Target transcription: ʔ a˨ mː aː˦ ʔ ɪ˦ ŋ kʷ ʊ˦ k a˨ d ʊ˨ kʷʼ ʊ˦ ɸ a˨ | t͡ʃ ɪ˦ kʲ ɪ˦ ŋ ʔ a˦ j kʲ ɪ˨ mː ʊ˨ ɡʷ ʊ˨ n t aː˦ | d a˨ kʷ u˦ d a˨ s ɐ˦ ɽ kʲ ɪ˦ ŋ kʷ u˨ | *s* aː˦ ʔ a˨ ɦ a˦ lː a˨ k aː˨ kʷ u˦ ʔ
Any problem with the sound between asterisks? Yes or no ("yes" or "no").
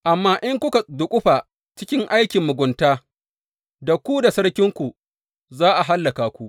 yes